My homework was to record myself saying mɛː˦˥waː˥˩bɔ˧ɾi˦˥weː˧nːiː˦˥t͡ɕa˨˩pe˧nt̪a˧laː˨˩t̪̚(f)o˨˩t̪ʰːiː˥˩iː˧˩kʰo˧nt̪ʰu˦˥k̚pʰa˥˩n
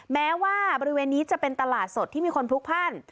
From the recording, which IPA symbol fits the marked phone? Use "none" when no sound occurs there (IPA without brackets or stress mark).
s